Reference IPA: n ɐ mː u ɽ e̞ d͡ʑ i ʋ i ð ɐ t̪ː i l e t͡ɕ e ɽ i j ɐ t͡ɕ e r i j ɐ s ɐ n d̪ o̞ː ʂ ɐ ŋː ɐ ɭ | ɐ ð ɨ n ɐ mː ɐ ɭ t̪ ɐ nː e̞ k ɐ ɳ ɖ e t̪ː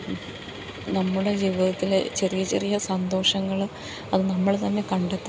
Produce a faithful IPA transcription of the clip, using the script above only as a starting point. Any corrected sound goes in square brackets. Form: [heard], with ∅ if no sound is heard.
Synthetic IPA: n ɐ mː u ɽ e̞ d͡ʑ i ʋ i ð ɐ t̪ː i l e t͡ɕ e [r] i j ɐ t͡ɕ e r i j ɐ s ɐ n d̪ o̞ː ʂ ɐ ŋː ɐ ɭ | ɐ ð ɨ n ɐ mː ɐ ɭ t̪ ɐ nː e̞ k ɐ ɳ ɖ e t̪ː